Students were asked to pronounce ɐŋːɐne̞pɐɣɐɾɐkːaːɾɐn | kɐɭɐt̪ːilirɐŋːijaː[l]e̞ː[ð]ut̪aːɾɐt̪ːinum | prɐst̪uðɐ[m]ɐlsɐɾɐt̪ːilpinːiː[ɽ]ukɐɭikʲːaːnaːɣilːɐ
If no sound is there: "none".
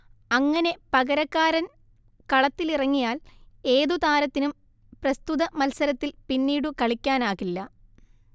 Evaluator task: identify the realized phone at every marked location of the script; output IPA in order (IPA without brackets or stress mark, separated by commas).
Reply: l, ð, m, ɽ